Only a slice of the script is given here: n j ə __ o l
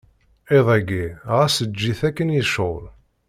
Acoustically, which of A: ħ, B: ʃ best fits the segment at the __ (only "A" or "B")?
B